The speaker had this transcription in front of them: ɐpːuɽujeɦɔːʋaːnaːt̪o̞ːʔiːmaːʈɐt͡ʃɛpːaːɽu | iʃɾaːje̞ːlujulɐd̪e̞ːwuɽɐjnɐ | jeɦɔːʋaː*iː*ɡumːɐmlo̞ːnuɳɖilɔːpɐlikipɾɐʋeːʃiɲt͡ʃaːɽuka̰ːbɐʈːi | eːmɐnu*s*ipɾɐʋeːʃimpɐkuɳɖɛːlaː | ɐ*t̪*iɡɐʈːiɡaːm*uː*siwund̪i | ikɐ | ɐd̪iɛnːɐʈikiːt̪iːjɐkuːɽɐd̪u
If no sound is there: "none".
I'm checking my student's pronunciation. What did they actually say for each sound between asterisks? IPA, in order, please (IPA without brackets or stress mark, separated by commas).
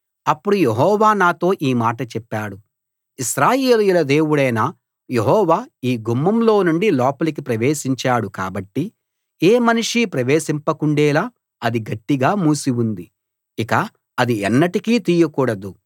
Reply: iː, ʂ, d̪, uː